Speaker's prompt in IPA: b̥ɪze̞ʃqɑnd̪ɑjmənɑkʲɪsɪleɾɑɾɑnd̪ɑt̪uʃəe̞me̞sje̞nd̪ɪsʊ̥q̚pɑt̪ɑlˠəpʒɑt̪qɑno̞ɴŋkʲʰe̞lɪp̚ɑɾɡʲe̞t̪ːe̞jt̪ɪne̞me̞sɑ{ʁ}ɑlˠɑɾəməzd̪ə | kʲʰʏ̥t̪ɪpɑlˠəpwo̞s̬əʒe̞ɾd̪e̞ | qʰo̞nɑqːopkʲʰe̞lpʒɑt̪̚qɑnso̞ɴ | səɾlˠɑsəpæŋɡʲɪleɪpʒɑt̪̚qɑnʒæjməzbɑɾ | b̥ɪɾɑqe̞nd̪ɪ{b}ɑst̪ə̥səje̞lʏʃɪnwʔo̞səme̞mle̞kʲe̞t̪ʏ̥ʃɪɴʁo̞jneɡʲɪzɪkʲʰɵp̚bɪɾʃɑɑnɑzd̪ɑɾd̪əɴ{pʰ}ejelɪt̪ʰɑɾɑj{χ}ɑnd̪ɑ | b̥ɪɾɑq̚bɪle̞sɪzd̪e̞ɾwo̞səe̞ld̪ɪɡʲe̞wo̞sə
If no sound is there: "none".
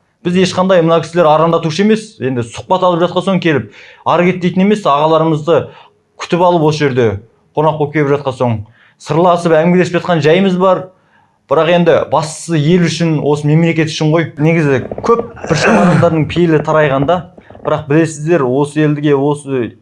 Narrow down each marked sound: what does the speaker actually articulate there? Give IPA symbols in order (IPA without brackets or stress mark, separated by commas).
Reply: ʁ, b, pʰ, ʁ